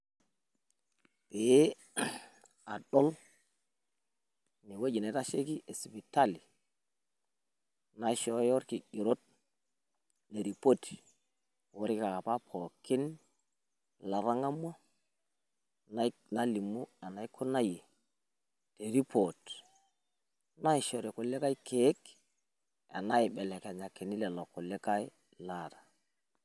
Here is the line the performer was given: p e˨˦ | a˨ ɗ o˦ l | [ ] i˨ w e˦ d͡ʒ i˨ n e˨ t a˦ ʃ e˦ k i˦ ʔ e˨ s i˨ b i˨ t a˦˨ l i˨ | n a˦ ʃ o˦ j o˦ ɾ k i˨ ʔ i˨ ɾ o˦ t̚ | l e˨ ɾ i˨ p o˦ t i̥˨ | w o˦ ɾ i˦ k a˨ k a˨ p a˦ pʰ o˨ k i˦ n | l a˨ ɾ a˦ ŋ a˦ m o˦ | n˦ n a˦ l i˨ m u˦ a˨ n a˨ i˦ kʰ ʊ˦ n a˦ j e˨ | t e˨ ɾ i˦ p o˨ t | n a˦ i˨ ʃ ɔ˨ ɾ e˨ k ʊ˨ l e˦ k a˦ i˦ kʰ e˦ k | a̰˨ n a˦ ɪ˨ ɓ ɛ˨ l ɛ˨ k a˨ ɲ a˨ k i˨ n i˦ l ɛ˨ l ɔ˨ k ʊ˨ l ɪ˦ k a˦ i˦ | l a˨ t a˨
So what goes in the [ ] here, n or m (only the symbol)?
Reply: n